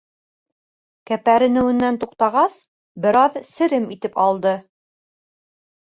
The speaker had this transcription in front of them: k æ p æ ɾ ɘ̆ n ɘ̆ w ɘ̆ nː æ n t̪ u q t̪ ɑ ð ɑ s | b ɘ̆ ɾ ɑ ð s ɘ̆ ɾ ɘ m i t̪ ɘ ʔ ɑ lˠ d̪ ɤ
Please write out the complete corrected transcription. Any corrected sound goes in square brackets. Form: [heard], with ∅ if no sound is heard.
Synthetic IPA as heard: k æ p æ ɾ ɘ̆ n ɘ̆ w ɘ̆ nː æ n t̪ u q t̪ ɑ [ʁ] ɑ s | b ɘ̆ ɾ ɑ ð s ɘ̆ ɾ ɘ m i t̪ ɘ [p] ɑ lˠ d̪ ɤ